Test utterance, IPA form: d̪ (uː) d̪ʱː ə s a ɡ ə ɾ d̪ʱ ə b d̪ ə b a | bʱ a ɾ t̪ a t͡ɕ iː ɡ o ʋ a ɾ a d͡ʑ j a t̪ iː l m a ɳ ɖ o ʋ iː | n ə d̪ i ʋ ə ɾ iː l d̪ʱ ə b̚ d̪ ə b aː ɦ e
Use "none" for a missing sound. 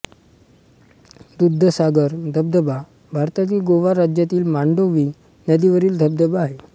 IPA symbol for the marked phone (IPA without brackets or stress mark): u